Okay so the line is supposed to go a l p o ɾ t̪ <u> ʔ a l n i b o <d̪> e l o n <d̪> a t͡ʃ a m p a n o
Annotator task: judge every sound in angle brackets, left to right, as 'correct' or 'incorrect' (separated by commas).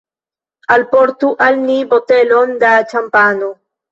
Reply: correct, incorrect, correct